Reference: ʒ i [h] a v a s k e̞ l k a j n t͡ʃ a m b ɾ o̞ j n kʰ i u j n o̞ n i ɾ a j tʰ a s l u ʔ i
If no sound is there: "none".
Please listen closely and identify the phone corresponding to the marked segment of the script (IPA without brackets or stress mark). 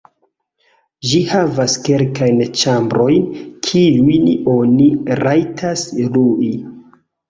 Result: h